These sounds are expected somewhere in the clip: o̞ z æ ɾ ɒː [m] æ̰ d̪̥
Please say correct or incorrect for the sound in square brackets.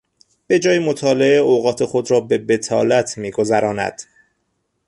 incorrect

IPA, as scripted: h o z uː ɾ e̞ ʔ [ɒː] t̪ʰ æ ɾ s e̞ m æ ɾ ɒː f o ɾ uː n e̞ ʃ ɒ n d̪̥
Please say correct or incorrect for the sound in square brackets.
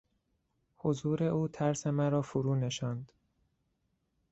incorrect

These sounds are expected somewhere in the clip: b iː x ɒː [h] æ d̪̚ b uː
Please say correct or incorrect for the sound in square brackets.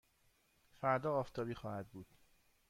correct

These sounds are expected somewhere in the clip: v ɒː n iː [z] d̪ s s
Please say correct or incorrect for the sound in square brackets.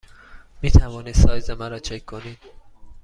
incorrect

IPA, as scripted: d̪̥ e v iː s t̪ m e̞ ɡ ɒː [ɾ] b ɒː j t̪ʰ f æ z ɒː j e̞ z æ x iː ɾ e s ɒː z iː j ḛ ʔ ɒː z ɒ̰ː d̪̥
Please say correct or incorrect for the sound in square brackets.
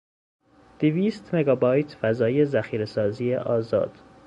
incorrect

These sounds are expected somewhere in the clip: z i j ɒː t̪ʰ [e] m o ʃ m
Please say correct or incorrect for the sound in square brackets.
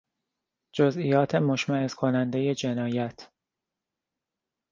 correct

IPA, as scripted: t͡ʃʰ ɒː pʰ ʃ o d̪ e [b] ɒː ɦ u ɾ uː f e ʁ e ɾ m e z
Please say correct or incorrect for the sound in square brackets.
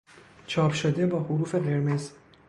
correct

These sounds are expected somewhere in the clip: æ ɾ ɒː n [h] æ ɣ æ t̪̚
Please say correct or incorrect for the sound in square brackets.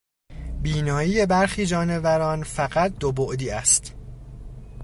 incorrect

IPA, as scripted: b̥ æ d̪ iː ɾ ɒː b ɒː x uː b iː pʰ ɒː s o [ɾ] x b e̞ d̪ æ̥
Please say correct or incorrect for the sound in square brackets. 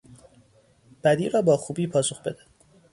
incorrect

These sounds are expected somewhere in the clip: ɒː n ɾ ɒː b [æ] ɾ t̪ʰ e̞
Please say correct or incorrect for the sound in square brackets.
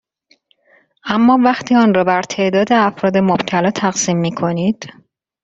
correct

